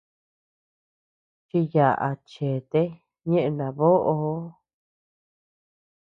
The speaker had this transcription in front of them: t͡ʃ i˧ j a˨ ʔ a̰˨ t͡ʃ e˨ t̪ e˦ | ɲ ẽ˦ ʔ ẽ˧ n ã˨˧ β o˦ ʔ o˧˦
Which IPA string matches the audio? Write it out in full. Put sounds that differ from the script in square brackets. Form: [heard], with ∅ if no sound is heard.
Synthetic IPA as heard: t͡ʃ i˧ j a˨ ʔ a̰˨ t͡ʃ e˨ t̪ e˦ | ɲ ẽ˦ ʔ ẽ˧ n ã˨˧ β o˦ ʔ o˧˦